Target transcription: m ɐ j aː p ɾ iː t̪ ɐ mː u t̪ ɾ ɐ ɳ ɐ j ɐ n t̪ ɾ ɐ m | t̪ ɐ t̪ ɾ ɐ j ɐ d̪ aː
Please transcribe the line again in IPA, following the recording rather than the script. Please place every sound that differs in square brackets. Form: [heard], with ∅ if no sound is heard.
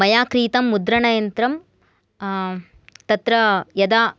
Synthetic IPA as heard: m ɐ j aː [k] ɾ iː t̪ ɐ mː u [d̪] ɾ ɐ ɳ ɐ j ɐ n t̪ ɾ ɐ m | t̪ ɐ t̪ ɾ ɐ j ɐ d̪ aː